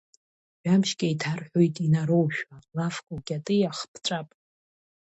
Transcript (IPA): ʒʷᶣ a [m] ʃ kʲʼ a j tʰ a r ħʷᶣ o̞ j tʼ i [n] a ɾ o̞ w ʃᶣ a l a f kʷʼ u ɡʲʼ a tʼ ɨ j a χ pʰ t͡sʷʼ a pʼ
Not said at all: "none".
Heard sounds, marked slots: m, n

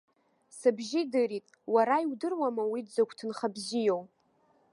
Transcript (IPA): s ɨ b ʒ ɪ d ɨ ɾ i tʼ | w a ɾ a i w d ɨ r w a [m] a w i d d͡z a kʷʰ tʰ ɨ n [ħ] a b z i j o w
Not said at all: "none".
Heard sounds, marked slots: m, χ

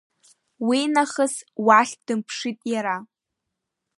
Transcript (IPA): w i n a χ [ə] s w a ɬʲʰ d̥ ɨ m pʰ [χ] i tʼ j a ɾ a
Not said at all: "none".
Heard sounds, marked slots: ə, ʂ

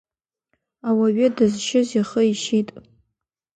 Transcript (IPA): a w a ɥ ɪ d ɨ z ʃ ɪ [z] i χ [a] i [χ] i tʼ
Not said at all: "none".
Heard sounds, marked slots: z, ə, ʃ

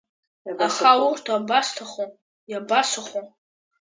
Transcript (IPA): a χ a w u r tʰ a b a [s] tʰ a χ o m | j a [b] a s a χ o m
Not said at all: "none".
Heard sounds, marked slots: s, b

